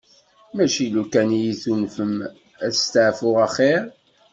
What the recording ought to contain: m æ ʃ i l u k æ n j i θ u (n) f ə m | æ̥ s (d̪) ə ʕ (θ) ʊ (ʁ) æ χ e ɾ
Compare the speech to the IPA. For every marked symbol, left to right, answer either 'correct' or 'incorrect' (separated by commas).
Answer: correct, incorrect, incorrect, correct